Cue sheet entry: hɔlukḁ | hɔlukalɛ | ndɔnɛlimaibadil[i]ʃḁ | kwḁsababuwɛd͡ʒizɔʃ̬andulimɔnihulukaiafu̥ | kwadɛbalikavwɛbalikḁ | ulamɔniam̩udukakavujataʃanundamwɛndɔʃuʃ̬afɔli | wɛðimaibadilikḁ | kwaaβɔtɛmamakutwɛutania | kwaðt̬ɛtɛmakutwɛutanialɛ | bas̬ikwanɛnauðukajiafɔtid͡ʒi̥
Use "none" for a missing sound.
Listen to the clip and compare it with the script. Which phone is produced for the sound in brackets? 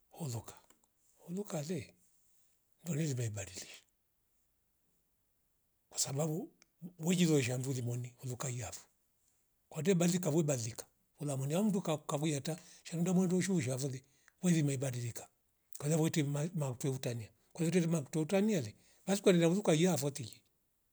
i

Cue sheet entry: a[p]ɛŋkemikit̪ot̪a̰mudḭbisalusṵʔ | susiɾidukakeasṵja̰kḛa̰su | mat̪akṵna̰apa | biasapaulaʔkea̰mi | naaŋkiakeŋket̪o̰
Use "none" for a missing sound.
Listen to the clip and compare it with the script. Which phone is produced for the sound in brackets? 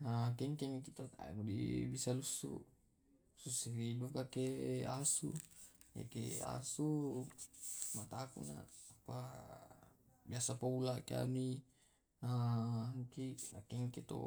k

